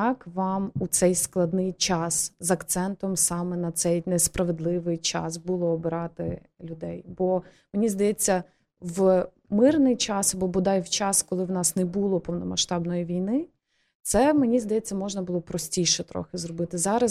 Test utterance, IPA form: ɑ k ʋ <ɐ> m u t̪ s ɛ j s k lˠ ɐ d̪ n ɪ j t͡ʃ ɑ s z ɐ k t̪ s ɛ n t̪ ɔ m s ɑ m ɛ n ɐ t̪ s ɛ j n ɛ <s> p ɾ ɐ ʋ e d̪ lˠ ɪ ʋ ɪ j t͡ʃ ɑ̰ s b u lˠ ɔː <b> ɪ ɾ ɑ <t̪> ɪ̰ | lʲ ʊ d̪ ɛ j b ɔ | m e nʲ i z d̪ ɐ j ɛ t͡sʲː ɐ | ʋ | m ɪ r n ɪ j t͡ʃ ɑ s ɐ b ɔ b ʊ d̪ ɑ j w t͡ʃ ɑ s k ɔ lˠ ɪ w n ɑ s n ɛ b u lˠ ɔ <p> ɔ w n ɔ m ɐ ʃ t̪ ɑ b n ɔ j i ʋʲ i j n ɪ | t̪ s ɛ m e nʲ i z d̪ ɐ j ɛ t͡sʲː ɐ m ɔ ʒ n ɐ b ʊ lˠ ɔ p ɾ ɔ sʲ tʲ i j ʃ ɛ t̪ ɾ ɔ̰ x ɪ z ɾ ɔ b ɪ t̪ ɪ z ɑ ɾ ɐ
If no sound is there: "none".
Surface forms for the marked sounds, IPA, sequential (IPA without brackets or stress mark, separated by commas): ɑ, s, b, t̪, p